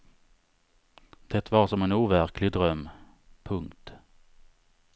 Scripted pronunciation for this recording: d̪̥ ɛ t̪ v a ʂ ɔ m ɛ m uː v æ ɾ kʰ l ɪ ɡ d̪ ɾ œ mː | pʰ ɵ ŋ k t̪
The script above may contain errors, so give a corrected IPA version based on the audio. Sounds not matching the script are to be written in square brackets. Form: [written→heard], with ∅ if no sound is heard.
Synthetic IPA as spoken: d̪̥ ɛ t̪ v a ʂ ɔ m ɛ [m→n] uː v æ ɾ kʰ l ɪ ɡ d̪ ɾ œ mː | pʰ ɵ ŋ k t̪